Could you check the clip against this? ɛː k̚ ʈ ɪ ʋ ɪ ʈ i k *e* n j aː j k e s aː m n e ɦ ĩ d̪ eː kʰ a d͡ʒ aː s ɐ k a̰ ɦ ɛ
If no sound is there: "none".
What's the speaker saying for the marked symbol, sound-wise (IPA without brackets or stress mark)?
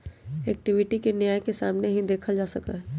e